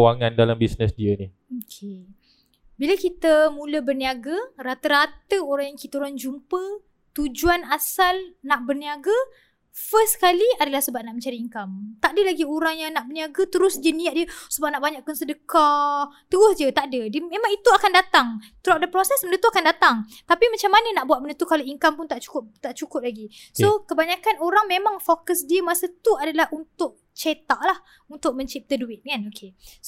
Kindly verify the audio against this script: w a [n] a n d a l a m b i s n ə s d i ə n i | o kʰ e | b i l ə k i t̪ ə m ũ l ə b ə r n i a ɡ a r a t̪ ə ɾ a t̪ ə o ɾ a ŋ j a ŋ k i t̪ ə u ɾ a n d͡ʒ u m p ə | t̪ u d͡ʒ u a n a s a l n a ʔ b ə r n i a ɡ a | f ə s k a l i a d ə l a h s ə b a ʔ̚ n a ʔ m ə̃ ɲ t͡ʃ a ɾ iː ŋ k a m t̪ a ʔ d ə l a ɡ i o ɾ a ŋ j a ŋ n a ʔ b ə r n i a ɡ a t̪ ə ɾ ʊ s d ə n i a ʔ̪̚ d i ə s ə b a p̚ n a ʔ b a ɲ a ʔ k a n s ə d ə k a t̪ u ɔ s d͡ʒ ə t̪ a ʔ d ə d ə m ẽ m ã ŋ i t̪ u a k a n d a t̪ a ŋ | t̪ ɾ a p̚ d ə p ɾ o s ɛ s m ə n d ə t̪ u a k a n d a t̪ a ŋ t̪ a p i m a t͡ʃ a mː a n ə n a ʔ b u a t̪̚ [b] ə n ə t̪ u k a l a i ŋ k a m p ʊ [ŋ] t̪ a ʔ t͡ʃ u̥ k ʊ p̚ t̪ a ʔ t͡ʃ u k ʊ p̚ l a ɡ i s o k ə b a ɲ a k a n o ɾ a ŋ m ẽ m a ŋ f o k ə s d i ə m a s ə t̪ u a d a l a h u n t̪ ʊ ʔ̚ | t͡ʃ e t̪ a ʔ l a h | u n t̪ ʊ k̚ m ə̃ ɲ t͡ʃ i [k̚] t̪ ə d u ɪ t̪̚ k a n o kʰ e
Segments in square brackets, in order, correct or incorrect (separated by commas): incorrect, incorrect, incorrect, incorrect